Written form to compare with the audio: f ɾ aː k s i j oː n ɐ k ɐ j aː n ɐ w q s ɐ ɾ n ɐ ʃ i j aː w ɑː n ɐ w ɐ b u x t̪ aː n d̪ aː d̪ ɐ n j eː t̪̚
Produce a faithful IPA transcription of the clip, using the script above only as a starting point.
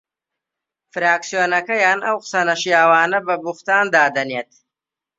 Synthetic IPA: f ɾ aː k s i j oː n ɐ k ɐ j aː n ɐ w q s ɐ n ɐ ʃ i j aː w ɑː n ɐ b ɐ b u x t̪ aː n d̪ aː d̪ ɐ n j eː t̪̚